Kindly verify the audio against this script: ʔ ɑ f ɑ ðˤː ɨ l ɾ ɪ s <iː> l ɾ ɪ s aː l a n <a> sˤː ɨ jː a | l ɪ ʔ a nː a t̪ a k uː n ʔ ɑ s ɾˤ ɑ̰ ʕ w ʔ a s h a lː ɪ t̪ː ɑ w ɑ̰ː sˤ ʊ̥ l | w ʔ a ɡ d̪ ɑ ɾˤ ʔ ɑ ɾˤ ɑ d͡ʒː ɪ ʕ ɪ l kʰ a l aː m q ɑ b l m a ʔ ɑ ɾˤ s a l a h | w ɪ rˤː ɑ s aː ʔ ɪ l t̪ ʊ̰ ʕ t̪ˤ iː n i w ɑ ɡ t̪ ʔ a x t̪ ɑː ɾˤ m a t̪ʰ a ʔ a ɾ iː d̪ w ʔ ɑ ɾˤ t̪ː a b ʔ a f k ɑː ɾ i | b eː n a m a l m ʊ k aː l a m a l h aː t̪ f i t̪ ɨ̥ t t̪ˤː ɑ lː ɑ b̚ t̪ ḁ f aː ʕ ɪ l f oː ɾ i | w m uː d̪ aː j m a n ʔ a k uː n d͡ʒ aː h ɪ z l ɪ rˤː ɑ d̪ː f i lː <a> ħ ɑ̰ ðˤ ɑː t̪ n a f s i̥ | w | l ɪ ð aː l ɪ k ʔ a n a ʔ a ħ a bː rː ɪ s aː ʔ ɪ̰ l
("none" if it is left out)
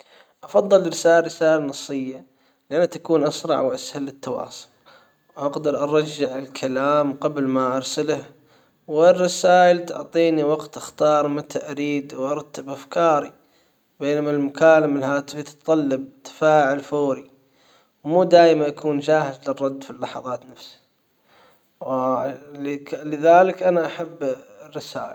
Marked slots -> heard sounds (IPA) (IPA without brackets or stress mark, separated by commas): aː, ɑ, ɑ